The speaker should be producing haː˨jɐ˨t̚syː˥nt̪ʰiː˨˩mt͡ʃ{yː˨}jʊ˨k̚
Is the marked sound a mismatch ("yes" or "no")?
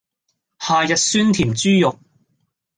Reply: yes